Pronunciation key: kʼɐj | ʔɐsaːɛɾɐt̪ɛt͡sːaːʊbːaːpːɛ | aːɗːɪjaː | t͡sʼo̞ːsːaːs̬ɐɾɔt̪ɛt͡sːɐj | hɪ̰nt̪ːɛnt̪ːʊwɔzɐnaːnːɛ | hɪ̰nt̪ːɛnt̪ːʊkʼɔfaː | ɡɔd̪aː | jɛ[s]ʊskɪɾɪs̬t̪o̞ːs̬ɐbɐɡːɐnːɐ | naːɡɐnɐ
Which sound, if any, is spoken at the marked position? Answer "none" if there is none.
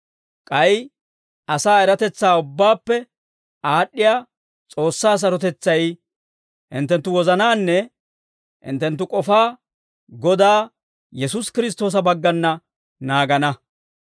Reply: s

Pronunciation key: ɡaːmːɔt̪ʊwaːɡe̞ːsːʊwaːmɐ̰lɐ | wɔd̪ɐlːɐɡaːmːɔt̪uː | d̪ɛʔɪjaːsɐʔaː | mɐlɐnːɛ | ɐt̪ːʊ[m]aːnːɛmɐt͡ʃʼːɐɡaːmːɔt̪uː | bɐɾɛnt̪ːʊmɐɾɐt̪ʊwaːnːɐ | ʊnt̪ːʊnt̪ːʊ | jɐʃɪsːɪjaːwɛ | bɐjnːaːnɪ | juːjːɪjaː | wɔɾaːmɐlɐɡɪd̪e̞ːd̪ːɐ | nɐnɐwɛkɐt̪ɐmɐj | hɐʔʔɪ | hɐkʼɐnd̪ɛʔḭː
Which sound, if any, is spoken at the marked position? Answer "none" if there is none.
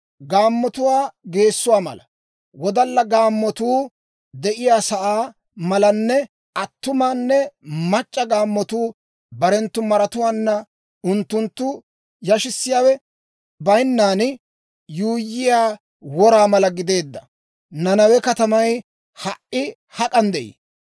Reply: m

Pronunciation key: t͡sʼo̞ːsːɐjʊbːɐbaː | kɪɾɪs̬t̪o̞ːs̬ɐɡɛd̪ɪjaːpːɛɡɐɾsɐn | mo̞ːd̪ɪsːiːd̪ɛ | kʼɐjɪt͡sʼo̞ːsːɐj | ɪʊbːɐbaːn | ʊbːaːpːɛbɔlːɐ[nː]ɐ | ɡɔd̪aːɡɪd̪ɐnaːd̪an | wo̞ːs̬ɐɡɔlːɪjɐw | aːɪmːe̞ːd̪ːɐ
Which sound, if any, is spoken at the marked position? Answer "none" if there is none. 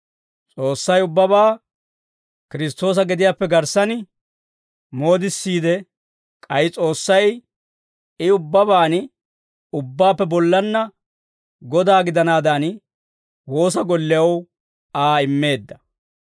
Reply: nː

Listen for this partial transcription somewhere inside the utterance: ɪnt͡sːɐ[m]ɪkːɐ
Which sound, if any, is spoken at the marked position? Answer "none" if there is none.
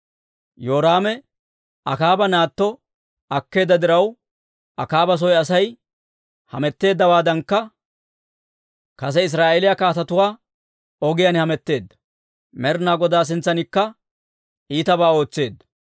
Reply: n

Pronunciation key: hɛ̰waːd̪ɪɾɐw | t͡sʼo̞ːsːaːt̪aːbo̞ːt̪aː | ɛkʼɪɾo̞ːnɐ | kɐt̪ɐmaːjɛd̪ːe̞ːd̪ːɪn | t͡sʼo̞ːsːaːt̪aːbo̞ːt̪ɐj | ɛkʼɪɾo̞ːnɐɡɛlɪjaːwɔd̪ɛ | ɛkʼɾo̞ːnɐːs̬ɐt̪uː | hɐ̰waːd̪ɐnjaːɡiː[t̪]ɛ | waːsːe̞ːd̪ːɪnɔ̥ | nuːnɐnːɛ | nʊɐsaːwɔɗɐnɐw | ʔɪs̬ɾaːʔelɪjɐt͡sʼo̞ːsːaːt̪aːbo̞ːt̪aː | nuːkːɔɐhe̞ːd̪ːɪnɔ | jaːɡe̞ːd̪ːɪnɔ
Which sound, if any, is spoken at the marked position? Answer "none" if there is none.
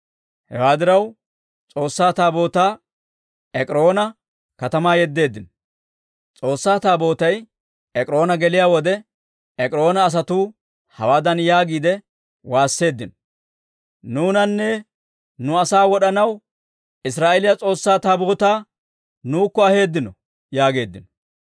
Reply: d̪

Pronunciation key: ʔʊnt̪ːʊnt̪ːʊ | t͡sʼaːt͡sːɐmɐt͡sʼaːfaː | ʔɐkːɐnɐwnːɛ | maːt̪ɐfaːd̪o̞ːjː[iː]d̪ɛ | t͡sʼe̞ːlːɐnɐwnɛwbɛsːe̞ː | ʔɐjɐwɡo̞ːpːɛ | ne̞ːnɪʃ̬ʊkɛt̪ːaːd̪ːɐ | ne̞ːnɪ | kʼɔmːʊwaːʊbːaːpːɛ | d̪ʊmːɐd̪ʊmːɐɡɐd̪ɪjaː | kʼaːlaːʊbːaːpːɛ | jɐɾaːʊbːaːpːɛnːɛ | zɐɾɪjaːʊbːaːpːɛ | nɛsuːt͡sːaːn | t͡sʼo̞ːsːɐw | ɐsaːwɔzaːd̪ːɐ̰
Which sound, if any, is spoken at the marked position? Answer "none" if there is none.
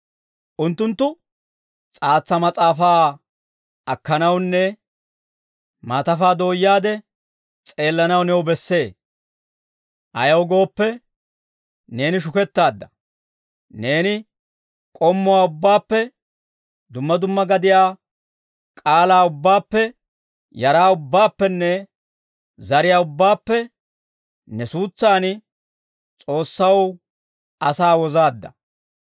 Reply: aː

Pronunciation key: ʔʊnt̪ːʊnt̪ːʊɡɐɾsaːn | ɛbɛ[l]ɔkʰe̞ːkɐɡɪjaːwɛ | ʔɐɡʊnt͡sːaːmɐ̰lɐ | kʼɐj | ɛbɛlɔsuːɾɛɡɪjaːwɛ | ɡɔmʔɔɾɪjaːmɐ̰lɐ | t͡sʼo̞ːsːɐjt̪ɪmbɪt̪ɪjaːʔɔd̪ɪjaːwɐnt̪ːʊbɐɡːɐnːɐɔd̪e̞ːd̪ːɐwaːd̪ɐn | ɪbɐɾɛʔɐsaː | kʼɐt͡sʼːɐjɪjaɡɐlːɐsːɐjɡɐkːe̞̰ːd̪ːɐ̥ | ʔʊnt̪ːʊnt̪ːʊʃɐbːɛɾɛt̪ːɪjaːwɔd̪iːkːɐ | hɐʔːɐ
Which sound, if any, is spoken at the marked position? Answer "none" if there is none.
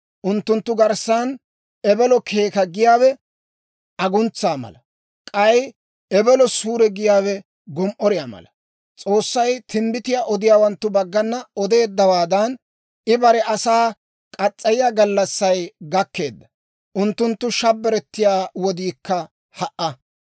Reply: l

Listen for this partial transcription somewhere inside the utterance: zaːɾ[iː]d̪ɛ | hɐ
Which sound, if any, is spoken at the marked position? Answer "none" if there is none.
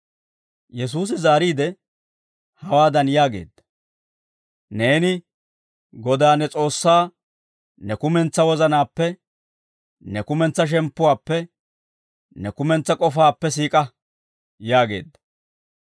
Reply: iː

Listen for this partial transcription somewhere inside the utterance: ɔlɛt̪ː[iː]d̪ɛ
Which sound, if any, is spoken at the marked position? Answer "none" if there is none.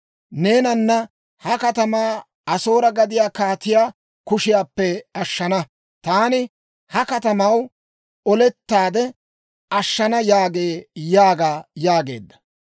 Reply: aː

